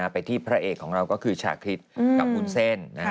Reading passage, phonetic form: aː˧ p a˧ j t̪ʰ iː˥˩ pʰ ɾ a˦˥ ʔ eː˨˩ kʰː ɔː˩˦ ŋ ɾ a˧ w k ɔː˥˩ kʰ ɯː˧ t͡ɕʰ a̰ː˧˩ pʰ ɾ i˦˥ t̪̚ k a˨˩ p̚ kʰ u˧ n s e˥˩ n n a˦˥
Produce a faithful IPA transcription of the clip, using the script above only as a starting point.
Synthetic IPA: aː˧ p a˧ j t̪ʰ iː˥˩ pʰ ɾ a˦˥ ʔ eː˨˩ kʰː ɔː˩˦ ŋ ɾ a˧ w k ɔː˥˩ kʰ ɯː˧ t͡ɕʰ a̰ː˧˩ kʰ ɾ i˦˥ t̪̚ k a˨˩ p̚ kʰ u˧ n s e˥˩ n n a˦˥

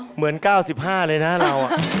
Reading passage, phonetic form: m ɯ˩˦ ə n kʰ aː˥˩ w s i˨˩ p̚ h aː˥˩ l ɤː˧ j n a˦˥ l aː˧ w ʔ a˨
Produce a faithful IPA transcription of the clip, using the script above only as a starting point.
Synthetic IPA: m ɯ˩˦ ə n k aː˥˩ w s i˨˩ p̚ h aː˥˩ l ɤː˧ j n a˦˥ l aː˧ w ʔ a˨

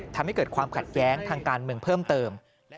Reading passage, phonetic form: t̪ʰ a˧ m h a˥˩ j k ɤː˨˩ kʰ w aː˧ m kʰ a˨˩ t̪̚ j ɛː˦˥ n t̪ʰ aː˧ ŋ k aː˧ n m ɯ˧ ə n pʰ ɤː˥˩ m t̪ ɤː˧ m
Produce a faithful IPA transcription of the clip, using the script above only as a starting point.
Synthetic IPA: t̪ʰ a˧ m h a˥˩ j k ɤː˨˩ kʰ w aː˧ m kʰ a˨˩ t̪̚ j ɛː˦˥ ŋ t̪ʰ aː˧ ŋ k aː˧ n m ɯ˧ ə ŋ pʰ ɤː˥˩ m t̪ ɤː˧ m

